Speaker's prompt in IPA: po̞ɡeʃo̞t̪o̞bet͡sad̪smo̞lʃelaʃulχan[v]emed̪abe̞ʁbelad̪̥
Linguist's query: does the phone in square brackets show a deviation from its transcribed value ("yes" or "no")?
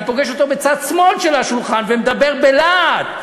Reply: no